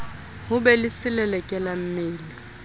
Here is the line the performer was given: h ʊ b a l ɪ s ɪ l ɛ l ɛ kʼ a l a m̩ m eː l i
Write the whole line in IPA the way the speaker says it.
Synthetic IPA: h ʊ b ɛ l ɪ s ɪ l ɛ l ɛ kʼ ɛ l a m̩ m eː l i